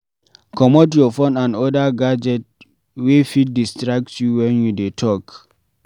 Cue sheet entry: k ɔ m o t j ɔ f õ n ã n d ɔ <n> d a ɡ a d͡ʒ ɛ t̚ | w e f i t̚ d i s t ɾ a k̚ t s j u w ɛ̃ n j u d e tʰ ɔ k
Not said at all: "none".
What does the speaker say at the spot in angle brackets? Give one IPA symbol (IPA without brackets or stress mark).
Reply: none